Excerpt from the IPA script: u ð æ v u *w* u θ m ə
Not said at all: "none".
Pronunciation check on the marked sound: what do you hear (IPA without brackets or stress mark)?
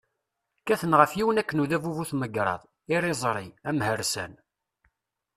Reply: v